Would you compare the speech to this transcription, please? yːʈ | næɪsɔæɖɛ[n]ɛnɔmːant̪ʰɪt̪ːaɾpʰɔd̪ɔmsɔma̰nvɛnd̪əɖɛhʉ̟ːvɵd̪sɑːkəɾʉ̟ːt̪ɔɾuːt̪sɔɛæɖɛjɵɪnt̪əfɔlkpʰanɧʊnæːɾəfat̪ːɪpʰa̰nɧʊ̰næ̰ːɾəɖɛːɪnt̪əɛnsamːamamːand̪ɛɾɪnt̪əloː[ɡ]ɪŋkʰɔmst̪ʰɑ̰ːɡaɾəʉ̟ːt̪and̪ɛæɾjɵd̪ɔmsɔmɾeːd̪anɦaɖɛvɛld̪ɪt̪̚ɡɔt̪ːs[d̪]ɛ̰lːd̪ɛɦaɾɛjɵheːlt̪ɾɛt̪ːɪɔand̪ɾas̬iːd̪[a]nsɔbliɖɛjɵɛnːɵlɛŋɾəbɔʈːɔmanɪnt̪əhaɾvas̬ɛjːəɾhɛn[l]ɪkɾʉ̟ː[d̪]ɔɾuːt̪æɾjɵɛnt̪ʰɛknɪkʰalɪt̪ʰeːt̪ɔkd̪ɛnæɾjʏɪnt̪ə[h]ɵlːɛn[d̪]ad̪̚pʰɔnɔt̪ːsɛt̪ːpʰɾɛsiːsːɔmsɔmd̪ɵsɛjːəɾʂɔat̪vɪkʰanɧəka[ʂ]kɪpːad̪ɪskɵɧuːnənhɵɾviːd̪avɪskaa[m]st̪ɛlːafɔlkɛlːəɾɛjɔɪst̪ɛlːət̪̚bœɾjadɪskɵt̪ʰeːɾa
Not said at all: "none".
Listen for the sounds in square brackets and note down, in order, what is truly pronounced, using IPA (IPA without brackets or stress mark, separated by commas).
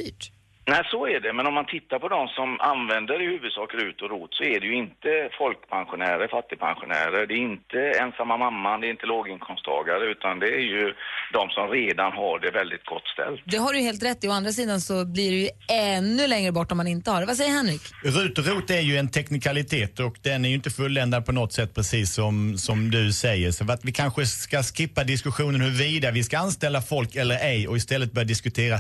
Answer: m, ɡ, t̪, a, ɾ, t̪, f, d̪, s, n